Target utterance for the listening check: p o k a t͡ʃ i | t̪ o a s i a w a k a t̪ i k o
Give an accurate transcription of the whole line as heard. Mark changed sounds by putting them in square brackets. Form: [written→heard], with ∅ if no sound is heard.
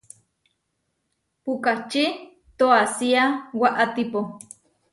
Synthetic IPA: p [o→u] k a t͡ʃ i | t̪ o a s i a w a [k→ʔ] a t̪ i [k→p] o

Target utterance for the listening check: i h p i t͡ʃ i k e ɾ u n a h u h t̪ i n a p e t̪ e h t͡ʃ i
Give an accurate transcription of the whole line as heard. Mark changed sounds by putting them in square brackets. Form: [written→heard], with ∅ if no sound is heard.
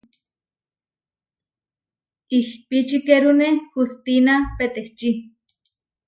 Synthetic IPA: i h p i t͡ʃ i k e ɾ u n [a→e] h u [h→s] t̪ i n a p e t̪ e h t͡ʃ i

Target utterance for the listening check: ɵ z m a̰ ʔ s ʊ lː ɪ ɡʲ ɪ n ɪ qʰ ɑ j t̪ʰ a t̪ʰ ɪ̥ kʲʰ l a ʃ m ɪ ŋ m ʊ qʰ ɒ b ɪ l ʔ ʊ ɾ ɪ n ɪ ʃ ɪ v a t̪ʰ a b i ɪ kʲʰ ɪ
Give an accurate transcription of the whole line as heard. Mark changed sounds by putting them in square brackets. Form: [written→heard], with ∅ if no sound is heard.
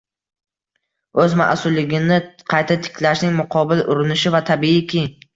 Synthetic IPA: ɵ z m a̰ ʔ s ʊ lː ɪ ɡʲ ɪ n ɪ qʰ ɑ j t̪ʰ a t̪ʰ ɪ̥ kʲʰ l a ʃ [m→n] ɪ ŋ m ʊ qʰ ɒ b ɪ l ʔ ʊ ɾ ɪ n ɪ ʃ ɪ v a t̪ʰ a b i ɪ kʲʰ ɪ

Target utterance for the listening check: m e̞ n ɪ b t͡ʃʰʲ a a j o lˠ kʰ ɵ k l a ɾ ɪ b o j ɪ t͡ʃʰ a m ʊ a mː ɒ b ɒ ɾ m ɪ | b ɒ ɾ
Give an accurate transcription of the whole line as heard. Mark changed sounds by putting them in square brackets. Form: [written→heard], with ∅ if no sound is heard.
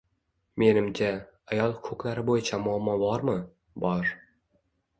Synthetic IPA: m e̞ n ɪ [b→m] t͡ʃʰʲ a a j [o→ɒ] lˠ kʰ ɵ k l a ɾ ɪ b o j ɪ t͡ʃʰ a m ʊ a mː ɒ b ɒ ɾ m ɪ | b ɒ ɾ

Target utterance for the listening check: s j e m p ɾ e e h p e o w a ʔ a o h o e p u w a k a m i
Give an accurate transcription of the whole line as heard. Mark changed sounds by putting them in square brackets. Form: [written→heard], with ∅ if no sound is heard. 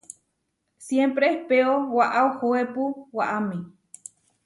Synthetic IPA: s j e m p ɾ e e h p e o w a ʔ a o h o e p u w a [k→ʔ] a m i

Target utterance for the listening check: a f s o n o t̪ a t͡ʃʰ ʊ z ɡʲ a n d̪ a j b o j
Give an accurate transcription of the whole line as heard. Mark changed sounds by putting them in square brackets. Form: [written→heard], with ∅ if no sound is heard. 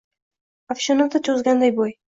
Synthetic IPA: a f [s→ʃ] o n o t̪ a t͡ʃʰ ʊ z ɡʲ a n d̪ a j b o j

